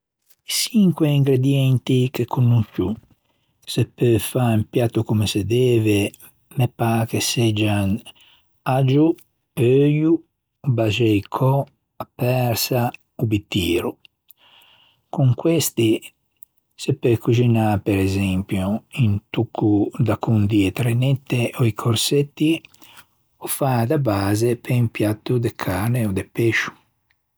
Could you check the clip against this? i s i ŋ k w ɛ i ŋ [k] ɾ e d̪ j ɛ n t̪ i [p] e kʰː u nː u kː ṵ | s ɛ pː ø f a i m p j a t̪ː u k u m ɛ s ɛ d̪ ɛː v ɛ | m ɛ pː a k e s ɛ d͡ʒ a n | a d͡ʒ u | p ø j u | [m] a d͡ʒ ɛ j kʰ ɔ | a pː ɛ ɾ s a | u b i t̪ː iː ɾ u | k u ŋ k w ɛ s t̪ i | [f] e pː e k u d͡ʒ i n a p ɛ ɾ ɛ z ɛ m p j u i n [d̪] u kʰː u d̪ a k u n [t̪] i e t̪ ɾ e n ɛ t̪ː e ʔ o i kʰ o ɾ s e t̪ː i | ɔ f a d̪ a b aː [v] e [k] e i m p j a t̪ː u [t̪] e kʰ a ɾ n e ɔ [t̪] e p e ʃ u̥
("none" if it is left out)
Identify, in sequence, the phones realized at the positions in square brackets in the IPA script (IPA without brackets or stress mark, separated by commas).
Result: ɡ, k, b, s, t̪, d̪, z, p, d̪, d̪